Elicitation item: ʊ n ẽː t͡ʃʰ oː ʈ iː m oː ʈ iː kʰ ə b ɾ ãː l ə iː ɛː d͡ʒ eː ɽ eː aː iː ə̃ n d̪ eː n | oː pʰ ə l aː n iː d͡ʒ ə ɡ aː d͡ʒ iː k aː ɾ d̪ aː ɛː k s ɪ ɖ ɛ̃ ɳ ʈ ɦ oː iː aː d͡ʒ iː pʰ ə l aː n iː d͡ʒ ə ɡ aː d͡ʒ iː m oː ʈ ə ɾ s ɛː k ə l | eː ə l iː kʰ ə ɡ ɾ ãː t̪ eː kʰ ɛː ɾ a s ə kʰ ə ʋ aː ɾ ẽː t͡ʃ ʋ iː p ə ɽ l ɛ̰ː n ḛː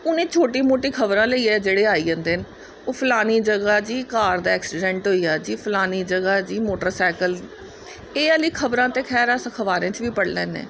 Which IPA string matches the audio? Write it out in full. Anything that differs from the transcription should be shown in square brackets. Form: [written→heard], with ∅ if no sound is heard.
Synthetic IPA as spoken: ʊ n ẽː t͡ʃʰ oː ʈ iː m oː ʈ iː kʰ ə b ɾ ãː l ə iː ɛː d͡ʒ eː ɽ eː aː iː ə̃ n d̪ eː n | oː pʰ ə l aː n iː d͡ʒ ə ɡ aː d͡ʒ iː k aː ɾ d̪ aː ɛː k s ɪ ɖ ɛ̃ ɳ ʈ ɦ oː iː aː d͡ʒ iː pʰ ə l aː n iː d͡ʒ ə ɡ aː d͡ʒ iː m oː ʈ ə ɾ s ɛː k ə l | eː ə l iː kʰ ə [ɡ→b] ɾ ãː t̪ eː kʰ ɛː ɾ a s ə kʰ ə ʋ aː ɾ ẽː t͡ʃ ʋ iː p ə ɽ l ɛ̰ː n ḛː